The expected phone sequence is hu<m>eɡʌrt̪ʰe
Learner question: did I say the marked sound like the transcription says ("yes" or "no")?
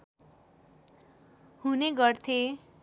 no